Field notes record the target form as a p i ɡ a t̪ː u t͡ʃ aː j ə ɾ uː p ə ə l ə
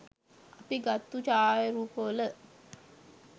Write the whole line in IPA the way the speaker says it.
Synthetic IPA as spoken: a p i ɡ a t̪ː u t͡ʃ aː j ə ɾ uː p ə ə l ə